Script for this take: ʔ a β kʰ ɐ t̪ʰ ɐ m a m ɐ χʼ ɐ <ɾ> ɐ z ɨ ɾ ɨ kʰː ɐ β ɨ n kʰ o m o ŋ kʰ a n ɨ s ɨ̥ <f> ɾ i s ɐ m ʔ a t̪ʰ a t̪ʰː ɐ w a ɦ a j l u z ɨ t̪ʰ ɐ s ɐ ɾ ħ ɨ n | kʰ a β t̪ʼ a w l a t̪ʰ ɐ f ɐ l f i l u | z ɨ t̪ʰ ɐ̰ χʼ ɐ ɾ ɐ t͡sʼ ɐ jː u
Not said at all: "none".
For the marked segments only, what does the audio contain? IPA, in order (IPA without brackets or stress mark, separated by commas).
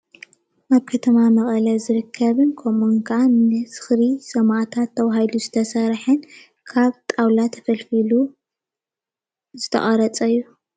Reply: l, x